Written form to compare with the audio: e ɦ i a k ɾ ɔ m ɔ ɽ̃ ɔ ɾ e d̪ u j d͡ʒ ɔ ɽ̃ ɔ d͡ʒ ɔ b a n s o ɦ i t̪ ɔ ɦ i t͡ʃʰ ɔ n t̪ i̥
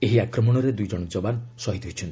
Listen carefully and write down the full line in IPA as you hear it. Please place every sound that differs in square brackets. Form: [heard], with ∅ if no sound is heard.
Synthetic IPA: e ɦ i a k ɾ ɔ m ɔ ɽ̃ ɔ ɾ e d̪ u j d͡ʒ ɔ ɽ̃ ɔ d͡ʒ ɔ b a n s [ɔ] ɦ i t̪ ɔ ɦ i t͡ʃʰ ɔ n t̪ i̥

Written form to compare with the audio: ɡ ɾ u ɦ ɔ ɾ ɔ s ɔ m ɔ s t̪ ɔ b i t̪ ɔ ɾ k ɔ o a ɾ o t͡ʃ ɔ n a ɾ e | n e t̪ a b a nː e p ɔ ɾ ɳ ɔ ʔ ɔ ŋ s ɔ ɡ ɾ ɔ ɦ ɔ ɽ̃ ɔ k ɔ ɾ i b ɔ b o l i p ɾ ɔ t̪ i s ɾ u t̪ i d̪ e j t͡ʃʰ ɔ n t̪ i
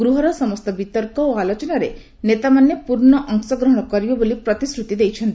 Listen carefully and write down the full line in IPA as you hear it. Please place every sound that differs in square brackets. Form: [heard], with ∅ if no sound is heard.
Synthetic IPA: ɡ ɾ u ɦ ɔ ɾ ɔ s ɔ m ɔ s t̪ ɔ b i t̪ ɔ ɾ k ɔ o a [l] o t͡ʃ ɔ n a ɾ e | n e t̪ a [m] a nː e p [u] ɾ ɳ ɔ ʔ ɔ ŋ s ɔ ɡ ɾ ɔ ɦ ɔ ɽ̃ ɔ k ɔ ɾ i b ɔ b o l i p ɾ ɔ t̪ i s ɾ u t̪ i d̪ e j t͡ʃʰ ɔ n t̪ i

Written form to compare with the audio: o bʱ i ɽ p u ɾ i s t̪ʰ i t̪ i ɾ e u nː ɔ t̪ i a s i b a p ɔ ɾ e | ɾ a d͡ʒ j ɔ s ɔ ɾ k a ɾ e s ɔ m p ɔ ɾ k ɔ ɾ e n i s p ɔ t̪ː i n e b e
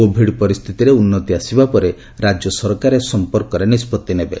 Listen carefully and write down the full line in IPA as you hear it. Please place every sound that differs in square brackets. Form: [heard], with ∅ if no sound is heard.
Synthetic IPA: o bʱ i ɽ p [ɔ] ɾ i s t̪ʰ i t̪ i ɾ e u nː ɔ t̪ i a s i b a p ɔ ɾ e | ɾ a d͡ʒ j ɔ s ɔ ɾ k a ɾ e s ɔ m p ɔ ɾ k ɔ ɾ e n i s p ɔ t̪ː i n e b e

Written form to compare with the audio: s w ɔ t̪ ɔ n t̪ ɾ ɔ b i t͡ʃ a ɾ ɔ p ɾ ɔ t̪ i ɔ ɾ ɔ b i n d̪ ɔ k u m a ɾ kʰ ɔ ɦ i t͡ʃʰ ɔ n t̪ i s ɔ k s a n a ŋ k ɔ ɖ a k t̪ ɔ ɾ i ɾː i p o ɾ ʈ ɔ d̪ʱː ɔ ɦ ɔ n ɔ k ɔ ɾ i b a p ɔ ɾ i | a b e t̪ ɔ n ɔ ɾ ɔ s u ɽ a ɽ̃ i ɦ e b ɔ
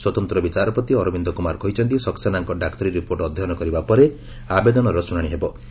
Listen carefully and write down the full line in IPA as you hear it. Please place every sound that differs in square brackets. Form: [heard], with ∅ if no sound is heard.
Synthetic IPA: s w ɔ t̪ ɔ n t̪ ɾ ɔ b i t͡ʃ a ɾ ɔ p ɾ ɔ t̪ i ɔ ɾ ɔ b i n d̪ ɔ k u m a ɾ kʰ ɔ ɦ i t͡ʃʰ ɔ n t̪ i s ɔ k s a n a ŋ k ɔ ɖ a k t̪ ɔ ɾ i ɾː i p o ɾ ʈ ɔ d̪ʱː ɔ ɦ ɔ n ɔ k ɔ ɾ i b a p ɔ ɾ [e] | a b e [d̪] ɔ n ɔ ɾ ɔ s u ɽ a ɽ̃ i ɦ e b ɔ

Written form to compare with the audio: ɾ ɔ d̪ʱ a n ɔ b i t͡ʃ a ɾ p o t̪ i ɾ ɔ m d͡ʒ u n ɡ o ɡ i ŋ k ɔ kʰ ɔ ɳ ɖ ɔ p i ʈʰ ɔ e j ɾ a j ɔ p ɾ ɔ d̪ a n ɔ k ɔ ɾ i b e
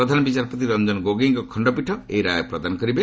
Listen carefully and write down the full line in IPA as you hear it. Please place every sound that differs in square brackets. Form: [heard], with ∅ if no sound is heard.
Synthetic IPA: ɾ ɔ d̪ʱ a n ɔ b i t͡ʃ a ɾ p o t̪ i ɾ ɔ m d͡ʒ [ɔ] n ɡ o ɡ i ŋ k ɔ kʰ ɔ ɳ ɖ ɔ p i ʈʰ ɔ e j ɾ a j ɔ p ɾ ɔ d̪ a n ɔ k ɔ ɾ i b e

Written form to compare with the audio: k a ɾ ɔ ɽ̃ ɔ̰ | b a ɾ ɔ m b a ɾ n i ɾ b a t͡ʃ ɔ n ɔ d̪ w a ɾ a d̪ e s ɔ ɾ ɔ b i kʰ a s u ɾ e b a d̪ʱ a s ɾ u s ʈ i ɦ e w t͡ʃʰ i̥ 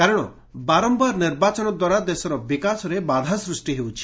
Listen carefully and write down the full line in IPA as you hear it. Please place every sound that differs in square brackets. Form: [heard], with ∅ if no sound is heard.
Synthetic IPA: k a ɾ ɔ ɽ̃ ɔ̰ | b a ɾ ɔ m b a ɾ n i ɾ b a t͡ʃ ɔ n ɔ d̪ w a ɾ a d̪ e s ɔ ɾ ɔ b i [k] a s [ɔ] ɾ e b a d̪ʱ a s ɾ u s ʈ i ɦ e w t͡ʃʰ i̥

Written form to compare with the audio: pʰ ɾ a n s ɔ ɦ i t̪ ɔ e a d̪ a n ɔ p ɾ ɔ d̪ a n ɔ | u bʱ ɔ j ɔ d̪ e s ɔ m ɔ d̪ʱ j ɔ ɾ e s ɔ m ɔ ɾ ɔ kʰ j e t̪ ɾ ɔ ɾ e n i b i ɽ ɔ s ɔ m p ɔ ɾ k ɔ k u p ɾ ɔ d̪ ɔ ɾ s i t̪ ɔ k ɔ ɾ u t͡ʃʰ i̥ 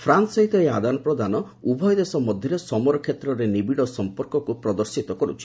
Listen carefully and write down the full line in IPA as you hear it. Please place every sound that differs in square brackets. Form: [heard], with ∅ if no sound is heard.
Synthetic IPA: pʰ ɾ a n s ɔ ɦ i t̪ ɔ e a d̪ a n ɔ p ɾ ɔ d̪ a n ɔ | u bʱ ɔ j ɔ d̪ e s ɔ m ɔ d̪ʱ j ɔ ɾ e s ɔ m ɔ ɾ ɔ kʰ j e t̪ ɾ ɔ ɾ e n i b i ɽ ɔ s ɔ m p ɔ ɾ k ɔ k u p ɾ ɔ d̪ ɔ ɾ s i t̪ ɔ k ɔ ɾ u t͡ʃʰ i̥

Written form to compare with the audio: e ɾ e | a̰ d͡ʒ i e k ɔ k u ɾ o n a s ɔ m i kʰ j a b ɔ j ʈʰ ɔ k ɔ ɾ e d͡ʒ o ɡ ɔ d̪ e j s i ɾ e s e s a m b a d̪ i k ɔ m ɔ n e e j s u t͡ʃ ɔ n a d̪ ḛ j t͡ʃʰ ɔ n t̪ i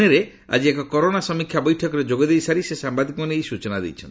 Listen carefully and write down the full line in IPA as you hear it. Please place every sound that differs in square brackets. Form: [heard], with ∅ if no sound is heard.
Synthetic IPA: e ɾ e | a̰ d͡ʒ i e k ɔ k [ɔ] ɾ o n a s ɔ m i kʰ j a b ɔ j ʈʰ ɔ k ɔ ɾ e d͡ʒ o ɡ ɔ d̪ e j s [a] ɾ [i] s e s a m b a d̪ i k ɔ m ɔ n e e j s u t͡ʃ ɔ n a d̪ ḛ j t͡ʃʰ ɔ n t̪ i

